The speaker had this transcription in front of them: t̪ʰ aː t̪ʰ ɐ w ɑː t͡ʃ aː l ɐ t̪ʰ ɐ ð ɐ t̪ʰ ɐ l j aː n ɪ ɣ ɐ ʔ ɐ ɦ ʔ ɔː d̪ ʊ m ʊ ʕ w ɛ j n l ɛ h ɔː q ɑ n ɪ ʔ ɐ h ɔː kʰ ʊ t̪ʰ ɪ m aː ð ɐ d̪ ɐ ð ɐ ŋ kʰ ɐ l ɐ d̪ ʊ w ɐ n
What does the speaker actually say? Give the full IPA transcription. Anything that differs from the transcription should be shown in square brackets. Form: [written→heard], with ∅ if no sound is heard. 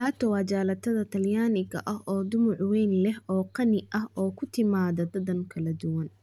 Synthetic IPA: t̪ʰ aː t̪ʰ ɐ w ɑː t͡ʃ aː l ɐ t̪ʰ ɐ ð ɐ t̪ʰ ɐ l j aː n ɪ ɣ ɐ ʔ ɐ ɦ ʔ ɔː d̪ ʊ m ʊ ʕ w ɛ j n l ɛ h ɔː q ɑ n ɪ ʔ ɐ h ɔː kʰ ʊ t̪ʰ ɪ m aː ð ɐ d̪ ɐ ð ɐ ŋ kʰ ɐ l ɐ d̪ ʊ w ɐ n

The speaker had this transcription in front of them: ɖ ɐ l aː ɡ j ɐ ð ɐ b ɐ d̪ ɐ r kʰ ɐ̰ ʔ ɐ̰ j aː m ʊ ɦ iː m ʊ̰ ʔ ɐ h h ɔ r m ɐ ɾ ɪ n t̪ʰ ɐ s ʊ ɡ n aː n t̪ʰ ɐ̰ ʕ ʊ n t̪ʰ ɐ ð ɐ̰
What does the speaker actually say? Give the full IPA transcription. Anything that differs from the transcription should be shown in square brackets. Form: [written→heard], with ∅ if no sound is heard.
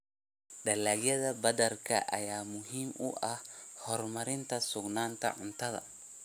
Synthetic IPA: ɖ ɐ l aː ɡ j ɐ ð ɐ b ɐ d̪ ɐ r kʰ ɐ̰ ʔ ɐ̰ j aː m ʊ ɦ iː m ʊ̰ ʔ ɐ h h ɔ r m ɐ ɾ ɪ n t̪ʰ ɐ s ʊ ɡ n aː n t̪ʰ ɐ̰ ʕ ʊ n t̪ʰ ɐ ð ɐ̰

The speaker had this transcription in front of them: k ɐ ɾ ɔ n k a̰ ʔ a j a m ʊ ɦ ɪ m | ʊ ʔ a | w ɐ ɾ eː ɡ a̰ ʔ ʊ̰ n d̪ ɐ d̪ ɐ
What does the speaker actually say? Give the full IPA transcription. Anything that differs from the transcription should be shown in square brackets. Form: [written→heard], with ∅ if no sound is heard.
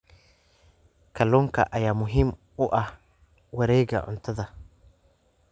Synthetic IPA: k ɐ [ɾ→l] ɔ [n→ŋ] k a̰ ʔ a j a m ʊ ɦ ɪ m | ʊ ʔ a | w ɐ ɾ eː ɡ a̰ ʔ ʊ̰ n [d̪→t̪] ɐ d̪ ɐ

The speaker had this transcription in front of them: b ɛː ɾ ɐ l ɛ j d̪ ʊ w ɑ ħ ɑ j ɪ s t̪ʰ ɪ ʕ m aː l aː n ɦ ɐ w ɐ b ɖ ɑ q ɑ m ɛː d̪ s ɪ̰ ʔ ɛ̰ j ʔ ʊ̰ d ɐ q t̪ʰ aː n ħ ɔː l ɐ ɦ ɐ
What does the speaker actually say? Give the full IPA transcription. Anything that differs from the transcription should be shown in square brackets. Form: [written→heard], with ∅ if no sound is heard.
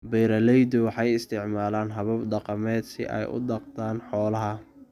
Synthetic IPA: b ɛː ɾ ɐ l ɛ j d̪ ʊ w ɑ ħ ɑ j ɪ s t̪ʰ ɪ ʕ m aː l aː n ɦ ɐ [w→β] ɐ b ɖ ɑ q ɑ m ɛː d̪ s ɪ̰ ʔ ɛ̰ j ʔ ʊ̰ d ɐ q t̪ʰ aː n ħ ɔː l ɐ ɦ ɐ

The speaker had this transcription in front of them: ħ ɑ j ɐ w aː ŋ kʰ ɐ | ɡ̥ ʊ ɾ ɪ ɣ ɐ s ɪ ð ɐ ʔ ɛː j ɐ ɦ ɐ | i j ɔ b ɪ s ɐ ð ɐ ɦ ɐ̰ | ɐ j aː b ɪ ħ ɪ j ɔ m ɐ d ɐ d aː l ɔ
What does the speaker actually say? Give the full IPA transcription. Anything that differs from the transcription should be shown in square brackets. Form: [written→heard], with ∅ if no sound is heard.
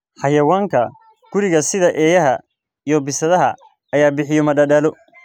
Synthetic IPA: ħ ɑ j ɐ w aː ŋ kʰ ɐ | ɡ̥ ʊ ɾ ɪ ɣ ɐ s ɪ ð ɐ ʔ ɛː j ɐ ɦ ɐ | i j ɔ b ɪ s ɐ ð ɐ ɦ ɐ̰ | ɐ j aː b ɪ ħ ɪ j ɔ m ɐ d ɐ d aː l ɔ

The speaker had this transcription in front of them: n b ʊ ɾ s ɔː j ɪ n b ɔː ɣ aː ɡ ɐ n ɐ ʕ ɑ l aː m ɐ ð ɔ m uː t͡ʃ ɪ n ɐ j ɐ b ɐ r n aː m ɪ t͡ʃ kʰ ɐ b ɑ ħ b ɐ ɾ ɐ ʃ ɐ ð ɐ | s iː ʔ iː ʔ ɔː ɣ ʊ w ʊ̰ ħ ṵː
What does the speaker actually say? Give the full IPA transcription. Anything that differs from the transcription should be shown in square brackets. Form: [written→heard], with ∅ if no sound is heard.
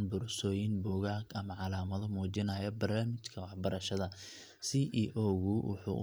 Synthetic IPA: n b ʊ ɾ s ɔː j ɪ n b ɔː ɣ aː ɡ ɐ [n→m] ɐ ʕ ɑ l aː m ɐ ð ɔ m uː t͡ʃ ɪ n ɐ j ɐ b ɐ r n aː m ɪ t͡ʃ kʰ ɐ [b→w] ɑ ħ b ɐ ɾ ɐ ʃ ɐ ð ɐ | s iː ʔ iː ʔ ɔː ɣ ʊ w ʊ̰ ħ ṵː

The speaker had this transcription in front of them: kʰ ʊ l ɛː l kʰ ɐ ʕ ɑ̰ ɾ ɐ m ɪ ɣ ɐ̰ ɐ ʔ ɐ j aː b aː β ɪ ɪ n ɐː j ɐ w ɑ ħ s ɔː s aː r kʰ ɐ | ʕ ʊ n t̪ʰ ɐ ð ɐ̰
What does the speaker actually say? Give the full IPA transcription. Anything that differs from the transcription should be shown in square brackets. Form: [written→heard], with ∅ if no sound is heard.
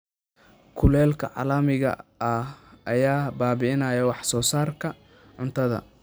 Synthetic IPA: kʰ ʊ l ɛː l kʰ ɐ ʕ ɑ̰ [ɾ→l] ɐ m ɪ ɣ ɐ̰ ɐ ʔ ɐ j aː b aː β ɪ ɪ n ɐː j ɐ w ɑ ħ s ɔː s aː r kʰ ɐ | ʕ ʊ n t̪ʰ ɐ ð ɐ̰

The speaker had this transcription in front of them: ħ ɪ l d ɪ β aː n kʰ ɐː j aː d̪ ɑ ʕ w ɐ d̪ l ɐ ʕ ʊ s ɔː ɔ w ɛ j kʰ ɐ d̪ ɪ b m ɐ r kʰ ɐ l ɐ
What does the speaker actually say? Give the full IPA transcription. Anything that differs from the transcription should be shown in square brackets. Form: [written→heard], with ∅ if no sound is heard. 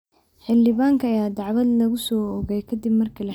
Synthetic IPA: ħ ɪ l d ɪ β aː [n→ŋ] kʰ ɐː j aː d̪ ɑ ʕ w ɐ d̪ l ɐ [ʕ→ɣ] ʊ s ɔː ɔ [w→ɣ] ɛ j kʰ ɐ d̪ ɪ b m ɐ r kʰ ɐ l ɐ

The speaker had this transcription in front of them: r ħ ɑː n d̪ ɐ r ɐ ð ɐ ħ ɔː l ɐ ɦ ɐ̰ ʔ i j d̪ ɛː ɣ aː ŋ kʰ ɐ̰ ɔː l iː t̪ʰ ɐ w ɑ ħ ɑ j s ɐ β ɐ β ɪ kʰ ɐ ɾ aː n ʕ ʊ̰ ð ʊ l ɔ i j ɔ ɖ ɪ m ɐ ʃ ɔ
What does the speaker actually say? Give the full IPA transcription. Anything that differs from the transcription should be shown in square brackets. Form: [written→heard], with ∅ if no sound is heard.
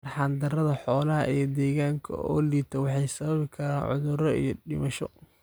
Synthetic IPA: r ħ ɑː n d̪ ɐ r ɐ ð ɐ ħ ɔː l ɐ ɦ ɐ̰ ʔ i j d̪ ɛː ɣ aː ŋ kʰ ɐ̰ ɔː l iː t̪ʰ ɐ w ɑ ħ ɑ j s ɐ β ɐ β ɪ kʰ ɐ ɾ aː n ʕ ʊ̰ ð ʊ [l→ɾ] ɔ i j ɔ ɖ ɪ m ɐ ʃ ɔ

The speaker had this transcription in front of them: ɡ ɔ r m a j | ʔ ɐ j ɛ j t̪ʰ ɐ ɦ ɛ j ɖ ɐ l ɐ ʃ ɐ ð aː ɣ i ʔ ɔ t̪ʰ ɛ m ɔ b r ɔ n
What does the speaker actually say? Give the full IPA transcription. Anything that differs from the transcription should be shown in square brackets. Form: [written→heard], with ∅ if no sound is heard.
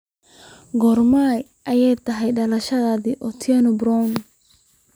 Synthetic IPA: ɡ ɔ r m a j | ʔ ɐ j ɛ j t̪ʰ ɐ ɦ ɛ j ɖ ɐ l ɐ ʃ ɐ ð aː [ɣ→ð] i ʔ ɔ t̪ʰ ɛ [m→n] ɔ b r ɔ n

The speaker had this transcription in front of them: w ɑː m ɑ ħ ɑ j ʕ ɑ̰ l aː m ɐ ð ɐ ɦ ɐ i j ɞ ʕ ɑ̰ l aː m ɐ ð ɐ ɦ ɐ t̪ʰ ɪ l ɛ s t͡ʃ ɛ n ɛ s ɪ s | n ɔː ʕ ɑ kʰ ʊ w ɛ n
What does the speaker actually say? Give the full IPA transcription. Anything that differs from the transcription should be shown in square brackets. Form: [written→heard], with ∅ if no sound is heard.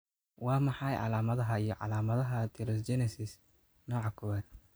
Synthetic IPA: w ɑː m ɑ ħ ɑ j ʕ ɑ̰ l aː m ɐ ð ɐ ɦ ɐ i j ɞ ʕ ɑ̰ l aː m ɐ ð ɐ ɦ ɐ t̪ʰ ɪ [l→ɾ] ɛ s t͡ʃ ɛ n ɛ s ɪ s | n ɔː ʕ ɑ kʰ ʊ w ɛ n

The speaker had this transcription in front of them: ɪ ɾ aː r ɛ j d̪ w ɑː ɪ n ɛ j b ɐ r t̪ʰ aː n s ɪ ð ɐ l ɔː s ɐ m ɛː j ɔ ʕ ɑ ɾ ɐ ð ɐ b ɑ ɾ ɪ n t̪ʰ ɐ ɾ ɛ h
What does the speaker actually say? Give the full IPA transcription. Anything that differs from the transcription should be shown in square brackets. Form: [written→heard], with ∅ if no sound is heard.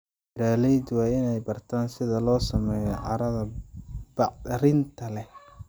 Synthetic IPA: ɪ ɾ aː [r→l] ɛ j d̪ w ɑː ɪ n ɛ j b ɐ r t̪ʰ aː n s ɪ ð ɐ l ɔː s ɐ m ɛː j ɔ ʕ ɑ ɾ ɐ ð ɐ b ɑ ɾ ɪ n t̪ʰ ɐ [ɾ→l] ɛ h

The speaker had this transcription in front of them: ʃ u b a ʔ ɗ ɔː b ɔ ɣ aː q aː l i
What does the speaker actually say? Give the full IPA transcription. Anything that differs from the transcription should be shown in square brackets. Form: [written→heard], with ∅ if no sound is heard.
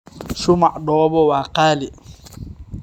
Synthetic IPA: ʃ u [b→m] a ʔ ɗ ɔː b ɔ [ɣ→w] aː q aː l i

